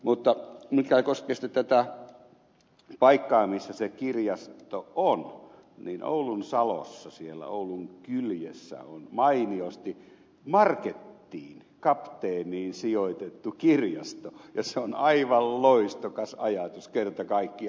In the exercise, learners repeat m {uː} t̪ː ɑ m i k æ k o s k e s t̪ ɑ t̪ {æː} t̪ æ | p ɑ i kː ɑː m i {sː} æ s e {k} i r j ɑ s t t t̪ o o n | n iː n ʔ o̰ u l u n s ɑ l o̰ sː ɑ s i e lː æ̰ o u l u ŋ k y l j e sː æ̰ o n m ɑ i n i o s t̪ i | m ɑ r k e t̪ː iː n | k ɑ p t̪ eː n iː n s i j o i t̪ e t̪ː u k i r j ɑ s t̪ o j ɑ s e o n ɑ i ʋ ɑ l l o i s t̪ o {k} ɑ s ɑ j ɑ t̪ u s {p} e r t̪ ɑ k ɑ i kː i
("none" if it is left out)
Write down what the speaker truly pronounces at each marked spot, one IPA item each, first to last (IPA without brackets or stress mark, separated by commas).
u, æ, sː, k, k, k